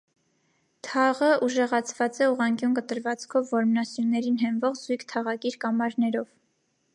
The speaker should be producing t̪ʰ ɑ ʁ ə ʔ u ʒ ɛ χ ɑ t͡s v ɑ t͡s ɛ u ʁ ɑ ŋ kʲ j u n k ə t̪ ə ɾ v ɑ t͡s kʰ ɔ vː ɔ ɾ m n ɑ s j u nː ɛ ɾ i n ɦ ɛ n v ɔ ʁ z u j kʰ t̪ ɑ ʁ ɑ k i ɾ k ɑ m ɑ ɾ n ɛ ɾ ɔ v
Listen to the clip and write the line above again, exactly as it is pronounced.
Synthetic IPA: t̪ʰ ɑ ʁ ə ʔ u ʒ ɛ ʁ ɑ t͡sʰ v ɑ t͡s ɛ u ʁ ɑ ŋ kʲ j u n k ə t̪ ə ɾ v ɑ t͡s kʰ ɔ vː ɔ ɾ m n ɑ s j u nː ɛ ɾ i n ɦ ɛ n v ɔ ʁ z u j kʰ t̪ʰ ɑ ʁ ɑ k i ɾ k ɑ m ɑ ɾ n ɛ ɾ ɔ v